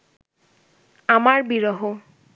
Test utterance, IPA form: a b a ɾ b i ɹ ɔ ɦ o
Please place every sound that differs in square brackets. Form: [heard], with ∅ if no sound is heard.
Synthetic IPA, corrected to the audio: a [m] a [ɹ] b i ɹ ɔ ɦ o